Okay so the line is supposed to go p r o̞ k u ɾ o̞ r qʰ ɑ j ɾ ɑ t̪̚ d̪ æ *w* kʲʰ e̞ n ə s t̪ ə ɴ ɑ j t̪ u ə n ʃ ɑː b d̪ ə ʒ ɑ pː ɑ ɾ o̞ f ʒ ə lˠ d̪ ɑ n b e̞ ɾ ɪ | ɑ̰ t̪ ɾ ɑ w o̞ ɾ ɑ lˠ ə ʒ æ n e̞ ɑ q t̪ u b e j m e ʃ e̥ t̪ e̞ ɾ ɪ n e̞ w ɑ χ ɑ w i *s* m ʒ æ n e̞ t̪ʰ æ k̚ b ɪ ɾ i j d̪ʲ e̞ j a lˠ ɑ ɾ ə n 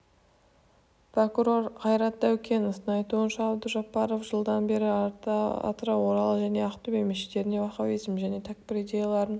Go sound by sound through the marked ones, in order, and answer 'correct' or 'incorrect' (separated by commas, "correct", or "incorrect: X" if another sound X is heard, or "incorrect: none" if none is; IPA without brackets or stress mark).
correct, incorrect: z